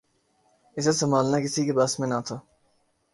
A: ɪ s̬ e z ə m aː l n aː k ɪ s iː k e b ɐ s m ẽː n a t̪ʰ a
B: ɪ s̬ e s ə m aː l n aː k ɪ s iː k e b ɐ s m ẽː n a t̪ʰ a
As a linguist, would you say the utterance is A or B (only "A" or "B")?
B